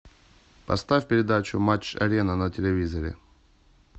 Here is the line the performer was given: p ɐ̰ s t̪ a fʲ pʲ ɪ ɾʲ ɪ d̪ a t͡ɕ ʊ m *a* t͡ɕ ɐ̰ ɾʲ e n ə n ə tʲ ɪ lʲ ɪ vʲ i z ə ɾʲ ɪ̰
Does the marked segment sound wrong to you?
no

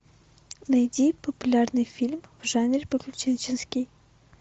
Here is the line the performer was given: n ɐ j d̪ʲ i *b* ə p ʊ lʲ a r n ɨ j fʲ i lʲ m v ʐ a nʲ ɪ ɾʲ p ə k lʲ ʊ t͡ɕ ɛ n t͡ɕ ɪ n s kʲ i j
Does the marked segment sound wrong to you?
yes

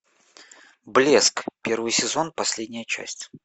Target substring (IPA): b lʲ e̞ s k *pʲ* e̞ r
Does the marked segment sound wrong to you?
no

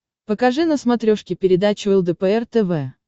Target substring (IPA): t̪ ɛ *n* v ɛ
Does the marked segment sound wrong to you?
yes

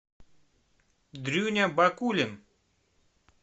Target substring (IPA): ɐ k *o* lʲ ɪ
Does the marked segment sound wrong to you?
yes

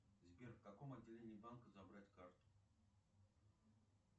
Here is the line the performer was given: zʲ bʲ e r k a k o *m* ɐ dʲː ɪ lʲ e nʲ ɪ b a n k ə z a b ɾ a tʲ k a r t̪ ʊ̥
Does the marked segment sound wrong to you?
no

